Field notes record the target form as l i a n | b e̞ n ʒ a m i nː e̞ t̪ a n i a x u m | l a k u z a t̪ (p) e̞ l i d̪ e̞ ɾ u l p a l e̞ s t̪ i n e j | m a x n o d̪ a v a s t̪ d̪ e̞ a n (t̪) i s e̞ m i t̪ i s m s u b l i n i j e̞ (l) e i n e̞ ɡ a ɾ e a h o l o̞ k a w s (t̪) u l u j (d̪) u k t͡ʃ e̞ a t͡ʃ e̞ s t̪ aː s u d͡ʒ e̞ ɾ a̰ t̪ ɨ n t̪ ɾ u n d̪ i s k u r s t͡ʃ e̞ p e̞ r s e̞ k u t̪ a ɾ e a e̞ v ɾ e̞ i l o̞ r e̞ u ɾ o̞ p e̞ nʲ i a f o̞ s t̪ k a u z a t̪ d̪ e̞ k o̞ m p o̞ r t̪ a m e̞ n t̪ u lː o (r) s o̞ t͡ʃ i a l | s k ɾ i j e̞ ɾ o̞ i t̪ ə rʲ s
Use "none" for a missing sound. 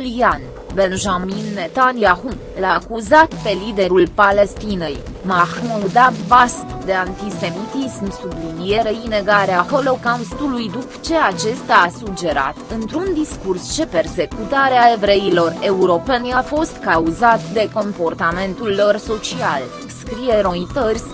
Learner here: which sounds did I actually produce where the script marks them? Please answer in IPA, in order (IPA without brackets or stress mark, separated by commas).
p, t̪, ɾ, t̪, d̪, r